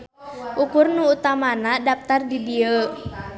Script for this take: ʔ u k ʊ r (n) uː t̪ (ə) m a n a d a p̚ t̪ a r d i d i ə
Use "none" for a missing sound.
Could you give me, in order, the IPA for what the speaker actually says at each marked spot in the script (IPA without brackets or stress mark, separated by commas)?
n, a